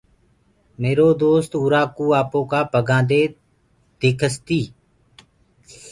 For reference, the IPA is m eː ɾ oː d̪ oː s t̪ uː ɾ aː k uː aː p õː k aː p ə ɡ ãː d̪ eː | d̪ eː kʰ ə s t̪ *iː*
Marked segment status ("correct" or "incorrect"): correct